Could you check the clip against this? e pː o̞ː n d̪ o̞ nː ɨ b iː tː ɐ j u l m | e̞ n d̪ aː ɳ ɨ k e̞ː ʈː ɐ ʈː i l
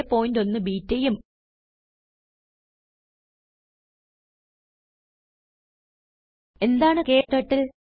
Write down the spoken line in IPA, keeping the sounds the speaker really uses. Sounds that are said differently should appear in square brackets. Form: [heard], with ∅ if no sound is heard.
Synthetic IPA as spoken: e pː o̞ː n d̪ o̞ nː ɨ b iː tː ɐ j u [∅] m | e̞ n d̪ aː ɳ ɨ k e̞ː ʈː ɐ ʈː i l